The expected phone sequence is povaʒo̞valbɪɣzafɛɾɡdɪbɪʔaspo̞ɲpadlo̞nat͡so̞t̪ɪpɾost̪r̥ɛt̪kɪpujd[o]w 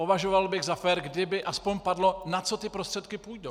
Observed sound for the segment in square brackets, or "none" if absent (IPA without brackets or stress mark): o